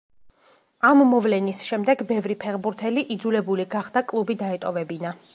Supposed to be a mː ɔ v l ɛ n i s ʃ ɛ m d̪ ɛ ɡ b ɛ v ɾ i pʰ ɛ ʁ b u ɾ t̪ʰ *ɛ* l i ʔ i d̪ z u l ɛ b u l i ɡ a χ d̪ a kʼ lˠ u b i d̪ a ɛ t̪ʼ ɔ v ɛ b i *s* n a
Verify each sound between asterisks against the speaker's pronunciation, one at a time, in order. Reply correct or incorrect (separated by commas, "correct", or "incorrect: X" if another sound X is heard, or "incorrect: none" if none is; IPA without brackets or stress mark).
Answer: correct, incorrect: none